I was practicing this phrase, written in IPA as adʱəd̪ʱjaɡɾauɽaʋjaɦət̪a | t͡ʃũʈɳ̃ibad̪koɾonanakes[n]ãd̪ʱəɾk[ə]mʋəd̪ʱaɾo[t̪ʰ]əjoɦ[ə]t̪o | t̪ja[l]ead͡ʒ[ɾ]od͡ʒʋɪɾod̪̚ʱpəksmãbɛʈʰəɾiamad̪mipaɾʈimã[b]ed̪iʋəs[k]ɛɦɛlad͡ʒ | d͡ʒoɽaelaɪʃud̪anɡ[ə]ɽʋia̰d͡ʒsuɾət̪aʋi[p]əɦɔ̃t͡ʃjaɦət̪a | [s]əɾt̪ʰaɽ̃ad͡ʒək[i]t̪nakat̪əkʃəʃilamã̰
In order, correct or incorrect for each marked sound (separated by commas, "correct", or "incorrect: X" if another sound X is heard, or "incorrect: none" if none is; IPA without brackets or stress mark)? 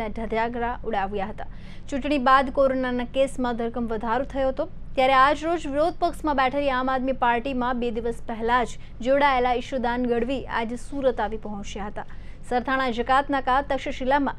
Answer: incorrect: m, correct, correct, correct, incorrect: ɾ, correct, correct, incorrect: p, correct, correct, correct, incorrect: a